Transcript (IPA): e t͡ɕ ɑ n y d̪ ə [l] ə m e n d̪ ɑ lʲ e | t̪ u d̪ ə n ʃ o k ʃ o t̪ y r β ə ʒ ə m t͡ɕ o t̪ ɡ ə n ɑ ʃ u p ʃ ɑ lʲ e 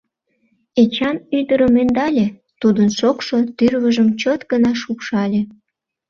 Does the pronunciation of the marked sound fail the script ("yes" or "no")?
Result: yes